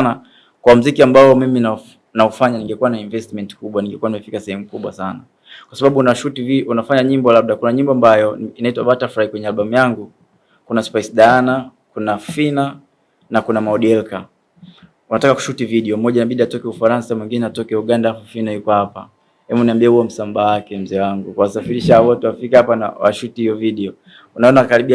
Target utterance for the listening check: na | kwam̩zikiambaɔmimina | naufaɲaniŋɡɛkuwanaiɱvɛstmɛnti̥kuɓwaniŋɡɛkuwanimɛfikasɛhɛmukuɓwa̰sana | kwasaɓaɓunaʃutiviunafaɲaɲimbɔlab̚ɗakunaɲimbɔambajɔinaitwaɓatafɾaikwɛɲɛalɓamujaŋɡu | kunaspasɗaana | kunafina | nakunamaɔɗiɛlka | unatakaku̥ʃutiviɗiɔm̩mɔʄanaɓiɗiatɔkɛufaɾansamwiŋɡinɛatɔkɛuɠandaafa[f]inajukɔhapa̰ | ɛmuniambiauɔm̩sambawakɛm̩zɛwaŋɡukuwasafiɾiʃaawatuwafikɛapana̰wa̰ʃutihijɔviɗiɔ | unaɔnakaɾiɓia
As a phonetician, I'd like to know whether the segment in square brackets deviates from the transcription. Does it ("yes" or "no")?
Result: no